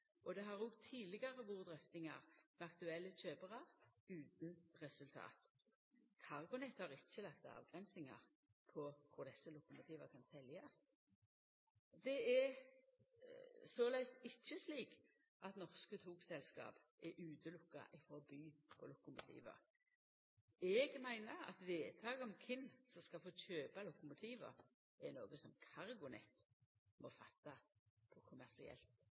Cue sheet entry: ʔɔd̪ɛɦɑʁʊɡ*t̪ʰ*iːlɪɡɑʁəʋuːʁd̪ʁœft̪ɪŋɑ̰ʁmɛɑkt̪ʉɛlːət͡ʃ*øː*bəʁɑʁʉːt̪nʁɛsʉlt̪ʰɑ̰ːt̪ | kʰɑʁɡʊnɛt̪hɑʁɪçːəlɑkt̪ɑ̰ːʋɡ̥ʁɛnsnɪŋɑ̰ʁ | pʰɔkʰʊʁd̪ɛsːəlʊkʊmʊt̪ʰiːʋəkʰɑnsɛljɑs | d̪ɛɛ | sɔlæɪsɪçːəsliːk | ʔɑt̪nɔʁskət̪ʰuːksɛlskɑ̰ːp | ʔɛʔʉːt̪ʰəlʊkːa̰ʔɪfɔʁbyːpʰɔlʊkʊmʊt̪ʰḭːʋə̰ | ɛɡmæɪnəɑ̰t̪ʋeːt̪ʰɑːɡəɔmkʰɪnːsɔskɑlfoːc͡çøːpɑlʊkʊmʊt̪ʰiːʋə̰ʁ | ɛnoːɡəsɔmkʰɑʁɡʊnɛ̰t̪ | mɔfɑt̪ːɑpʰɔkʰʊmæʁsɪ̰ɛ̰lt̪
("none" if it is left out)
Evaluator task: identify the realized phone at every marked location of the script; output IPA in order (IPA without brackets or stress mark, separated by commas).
t̪ʰ, øː